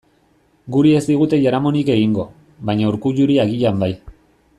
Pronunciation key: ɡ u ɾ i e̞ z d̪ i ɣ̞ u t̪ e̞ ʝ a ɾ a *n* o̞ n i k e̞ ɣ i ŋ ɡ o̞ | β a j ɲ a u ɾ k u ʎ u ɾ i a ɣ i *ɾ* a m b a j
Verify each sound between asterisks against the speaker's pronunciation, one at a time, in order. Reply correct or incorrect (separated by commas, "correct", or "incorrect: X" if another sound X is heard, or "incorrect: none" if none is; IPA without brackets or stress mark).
incorrect: m, incorrect: ʎ